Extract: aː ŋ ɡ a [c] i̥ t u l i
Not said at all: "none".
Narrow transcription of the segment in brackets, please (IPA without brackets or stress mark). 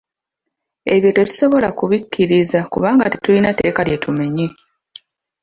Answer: t